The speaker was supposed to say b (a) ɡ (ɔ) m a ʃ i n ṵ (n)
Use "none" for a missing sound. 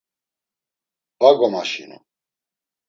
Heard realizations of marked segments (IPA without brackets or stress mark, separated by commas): a, ɔ, none